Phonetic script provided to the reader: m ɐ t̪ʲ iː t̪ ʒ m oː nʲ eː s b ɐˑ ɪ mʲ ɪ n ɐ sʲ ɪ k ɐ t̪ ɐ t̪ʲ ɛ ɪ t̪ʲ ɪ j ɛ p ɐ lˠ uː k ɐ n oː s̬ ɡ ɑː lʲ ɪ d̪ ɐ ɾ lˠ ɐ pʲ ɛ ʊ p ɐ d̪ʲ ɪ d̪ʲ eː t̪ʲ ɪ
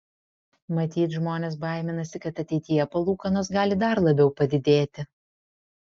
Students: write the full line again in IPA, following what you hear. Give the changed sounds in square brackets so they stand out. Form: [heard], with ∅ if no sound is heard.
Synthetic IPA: m ɐ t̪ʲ iː t̪ ʒ m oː nʲ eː s b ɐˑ ɪ mʲ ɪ n ɐ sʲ ɪ k ɐ t̪ ɐ t̪ʲ ɛ ɪ t̪ʲ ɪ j ɛ p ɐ lˠ uː k ɐ n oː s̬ ɡ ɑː lʲ ɪ d̪ ɐ ɾ lˠ ɐ [bʲ] ɛ ʊ p ɐ d̪ʲ ɪ d̪ʲ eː t̪ʲ ɪ